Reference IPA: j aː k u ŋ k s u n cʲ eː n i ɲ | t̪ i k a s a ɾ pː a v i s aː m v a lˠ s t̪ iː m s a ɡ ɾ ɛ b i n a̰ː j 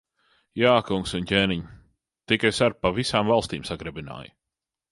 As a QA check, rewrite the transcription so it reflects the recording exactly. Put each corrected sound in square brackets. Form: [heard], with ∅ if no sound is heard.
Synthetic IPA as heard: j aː k u ŋ k s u n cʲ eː n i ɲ | t̪ i k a s a ɾ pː a v i s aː m v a lˠ s t̪ iː m s a ɡ ɾ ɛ b i n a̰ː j